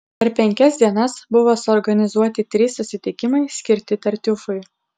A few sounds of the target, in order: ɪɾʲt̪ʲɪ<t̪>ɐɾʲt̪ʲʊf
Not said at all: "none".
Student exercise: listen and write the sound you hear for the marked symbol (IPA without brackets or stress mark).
t̪